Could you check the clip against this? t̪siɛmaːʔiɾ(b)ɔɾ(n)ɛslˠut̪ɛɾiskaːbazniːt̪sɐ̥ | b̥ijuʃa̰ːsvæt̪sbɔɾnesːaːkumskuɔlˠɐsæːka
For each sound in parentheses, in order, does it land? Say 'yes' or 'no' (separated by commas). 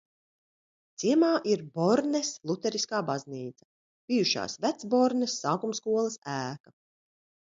yes, yes